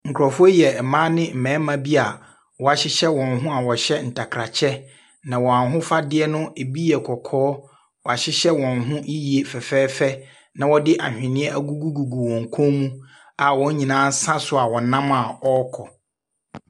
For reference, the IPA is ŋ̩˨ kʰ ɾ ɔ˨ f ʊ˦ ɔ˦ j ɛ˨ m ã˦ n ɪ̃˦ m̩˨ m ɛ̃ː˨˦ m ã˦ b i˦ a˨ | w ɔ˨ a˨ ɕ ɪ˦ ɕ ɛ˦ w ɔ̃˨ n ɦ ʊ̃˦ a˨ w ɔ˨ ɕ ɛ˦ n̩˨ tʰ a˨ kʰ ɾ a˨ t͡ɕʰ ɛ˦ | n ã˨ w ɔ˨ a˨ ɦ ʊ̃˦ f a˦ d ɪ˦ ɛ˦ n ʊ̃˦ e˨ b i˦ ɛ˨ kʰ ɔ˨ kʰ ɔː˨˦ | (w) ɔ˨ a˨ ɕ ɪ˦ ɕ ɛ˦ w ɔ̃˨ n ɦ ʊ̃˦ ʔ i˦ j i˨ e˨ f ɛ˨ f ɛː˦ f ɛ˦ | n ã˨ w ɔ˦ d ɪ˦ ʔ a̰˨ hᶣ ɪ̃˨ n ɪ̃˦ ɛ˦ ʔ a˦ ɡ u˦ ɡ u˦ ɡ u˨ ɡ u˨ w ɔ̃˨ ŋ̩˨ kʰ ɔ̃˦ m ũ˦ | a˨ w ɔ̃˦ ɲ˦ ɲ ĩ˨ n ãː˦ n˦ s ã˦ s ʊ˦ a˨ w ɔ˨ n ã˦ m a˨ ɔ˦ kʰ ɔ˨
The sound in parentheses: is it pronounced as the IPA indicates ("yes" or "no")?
yes